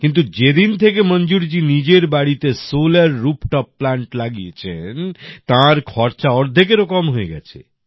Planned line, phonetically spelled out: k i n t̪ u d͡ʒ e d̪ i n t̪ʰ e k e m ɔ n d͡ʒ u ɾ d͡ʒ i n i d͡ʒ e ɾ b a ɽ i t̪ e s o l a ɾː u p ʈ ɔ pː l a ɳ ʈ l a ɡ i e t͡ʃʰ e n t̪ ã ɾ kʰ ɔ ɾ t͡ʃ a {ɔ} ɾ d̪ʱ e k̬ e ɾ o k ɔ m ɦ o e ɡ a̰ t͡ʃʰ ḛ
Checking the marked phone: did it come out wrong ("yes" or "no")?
no